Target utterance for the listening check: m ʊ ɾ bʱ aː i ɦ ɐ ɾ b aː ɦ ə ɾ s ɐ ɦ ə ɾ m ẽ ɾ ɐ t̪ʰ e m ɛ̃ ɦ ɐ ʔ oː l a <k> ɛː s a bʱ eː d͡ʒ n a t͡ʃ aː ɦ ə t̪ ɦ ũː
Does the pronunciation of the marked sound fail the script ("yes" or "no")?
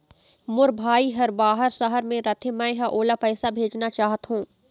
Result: yes